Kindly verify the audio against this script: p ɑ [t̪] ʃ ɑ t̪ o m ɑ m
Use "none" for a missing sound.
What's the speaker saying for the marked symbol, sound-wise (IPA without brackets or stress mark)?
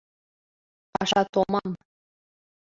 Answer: none